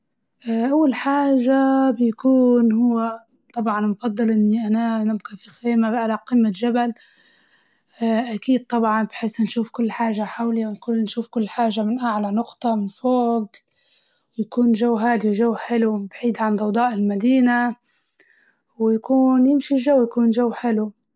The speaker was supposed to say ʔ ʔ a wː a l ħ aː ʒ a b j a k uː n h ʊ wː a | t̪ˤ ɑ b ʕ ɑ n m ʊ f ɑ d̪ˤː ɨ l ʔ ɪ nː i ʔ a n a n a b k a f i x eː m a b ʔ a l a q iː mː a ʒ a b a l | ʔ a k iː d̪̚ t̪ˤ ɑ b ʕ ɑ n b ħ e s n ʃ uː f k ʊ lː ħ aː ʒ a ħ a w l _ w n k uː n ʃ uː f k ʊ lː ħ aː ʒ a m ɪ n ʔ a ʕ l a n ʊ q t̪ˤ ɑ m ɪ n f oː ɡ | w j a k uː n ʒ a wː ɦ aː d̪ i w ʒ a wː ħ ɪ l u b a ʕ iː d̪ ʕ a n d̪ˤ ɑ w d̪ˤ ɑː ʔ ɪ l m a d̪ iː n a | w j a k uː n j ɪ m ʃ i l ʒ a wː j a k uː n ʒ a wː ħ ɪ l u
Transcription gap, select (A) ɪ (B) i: B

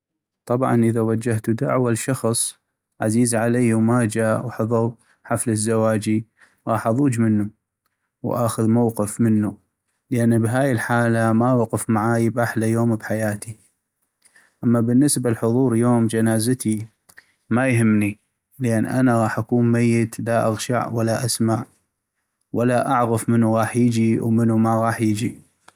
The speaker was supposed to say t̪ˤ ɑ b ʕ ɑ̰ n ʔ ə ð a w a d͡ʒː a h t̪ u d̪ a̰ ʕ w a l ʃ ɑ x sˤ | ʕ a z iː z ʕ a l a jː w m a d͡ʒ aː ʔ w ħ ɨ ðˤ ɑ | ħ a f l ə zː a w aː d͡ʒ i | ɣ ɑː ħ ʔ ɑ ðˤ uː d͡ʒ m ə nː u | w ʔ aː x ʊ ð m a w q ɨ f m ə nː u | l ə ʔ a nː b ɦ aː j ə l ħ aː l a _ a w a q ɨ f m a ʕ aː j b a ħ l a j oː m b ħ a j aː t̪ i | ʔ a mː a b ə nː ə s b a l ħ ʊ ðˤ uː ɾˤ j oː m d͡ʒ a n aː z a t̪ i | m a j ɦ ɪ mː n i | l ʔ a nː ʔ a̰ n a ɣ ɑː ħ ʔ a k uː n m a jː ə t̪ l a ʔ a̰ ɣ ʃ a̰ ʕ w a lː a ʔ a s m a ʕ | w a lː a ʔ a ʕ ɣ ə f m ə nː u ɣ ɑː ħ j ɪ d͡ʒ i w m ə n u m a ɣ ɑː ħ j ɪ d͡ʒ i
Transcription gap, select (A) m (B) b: A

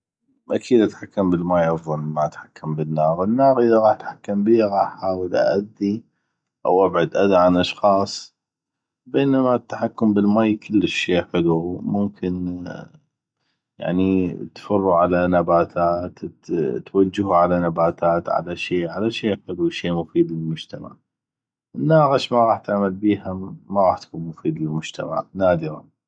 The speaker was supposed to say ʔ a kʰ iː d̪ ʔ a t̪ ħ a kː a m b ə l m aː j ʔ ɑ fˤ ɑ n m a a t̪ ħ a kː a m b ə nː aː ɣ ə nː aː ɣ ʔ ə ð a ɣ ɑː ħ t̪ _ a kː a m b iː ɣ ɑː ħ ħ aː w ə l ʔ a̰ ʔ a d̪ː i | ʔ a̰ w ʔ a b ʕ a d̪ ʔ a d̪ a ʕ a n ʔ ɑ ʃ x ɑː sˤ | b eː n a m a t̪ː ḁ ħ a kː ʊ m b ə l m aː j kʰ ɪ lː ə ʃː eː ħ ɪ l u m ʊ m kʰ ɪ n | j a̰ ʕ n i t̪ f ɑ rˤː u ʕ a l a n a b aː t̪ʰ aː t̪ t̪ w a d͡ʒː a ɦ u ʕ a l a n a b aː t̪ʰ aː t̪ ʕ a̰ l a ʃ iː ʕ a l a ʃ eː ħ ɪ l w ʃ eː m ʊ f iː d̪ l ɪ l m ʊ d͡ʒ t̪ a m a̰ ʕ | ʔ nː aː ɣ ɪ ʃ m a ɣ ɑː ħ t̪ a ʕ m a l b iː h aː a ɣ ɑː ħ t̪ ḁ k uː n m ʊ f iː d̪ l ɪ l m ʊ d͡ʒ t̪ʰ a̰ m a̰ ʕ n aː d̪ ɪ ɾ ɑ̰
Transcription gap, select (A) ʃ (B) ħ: B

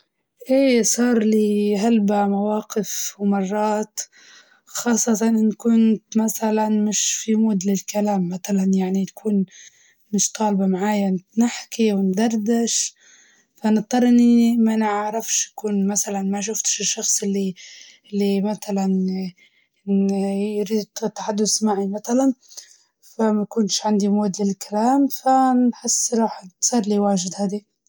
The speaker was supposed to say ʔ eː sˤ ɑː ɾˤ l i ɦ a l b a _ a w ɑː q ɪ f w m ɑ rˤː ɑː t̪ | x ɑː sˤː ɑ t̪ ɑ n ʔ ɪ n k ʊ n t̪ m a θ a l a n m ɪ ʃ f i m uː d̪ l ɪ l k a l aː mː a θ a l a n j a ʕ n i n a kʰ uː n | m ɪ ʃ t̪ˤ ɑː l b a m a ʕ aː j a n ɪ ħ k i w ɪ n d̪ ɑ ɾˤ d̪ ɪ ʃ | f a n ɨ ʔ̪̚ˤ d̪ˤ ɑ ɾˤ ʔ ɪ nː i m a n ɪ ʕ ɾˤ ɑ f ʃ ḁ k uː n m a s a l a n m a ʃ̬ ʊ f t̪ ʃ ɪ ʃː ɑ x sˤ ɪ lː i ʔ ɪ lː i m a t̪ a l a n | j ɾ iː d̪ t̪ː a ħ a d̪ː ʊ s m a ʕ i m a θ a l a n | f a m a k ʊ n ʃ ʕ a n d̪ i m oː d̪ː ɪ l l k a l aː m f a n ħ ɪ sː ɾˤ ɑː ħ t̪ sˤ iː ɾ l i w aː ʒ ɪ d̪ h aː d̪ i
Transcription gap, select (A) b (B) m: B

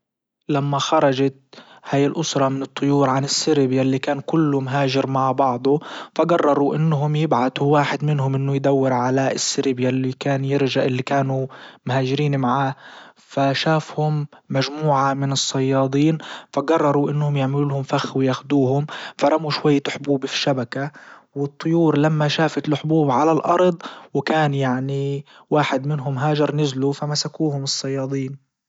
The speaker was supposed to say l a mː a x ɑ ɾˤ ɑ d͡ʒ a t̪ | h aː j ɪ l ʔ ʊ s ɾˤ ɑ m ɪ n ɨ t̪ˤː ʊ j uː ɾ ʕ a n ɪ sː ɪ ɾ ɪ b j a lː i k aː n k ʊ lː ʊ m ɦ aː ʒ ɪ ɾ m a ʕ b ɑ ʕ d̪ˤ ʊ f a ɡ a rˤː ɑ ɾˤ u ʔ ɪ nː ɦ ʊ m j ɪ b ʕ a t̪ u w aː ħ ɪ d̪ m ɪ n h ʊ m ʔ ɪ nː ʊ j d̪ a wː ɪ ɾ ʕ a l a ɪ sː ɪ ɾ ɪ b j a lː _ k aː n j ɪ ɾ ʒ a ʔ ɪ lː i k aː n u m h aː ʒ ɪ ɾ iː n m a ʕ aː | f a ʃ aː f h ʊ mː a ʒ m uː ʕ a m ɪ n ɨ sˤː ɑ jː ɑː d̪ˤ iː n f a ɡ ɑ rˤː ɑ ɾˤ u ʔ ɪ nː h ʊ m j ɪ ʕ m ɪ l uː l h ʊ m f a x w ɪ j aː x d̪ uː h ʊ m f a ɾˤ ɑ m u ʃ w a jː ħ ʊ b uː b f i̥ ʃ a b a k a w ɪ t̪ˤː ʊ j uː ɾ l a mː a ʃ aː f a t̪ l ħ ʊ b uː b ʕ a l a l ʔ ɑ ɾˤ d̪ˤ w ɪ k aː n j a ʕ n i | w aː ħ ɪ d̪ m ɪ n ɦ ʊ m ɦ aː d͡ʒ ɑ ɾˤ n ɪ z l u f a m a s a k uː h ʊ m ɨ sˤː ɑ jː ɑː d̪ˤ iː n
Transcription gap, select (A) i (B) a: A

